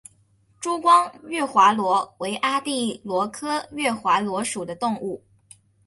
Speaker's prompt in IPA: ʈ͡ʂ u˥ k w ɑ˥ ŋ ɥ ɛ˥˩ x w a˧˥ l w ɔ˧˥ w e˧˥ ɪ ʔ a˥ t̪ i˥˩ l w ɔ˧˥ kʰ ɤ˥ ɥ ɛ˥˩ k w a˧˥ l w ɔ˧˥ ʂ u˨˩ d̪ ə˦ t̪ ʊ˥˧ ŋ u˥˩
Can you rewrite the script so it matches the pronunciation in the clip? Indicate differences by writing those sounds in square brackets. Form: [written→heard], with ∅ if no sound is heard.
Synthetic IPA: ʈ͡ʂ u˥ k w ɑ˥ ŋ ɥ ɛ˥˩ x w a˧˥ l w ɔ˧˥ w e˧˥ ɪ ʔ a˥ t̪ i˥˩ l w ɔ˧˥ kʰ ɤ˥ ɥ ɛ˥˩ [k→x] w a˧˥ l w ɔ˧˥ ʂ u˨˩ d̪ ə˦ t̪ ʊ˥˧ ŋ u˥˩